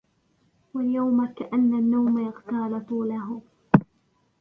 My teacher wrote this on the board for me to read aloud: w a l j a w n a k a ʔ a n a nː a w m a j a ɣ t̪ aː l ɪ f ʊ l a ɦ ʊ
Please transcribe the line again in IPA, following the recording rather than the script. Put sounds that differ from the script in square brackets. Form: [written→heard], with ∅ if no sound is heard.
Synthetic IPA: w a l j a w [n→m] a k a ʔ a [n→nː] a nː a w m a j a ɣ t̪ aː l ɪ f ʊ l a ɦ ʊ